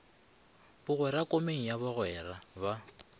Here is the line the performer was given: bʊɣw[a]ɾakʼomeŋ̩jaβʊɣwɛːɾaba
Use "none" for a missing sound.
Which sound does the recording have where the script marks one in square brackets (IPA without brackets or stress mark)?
ɛ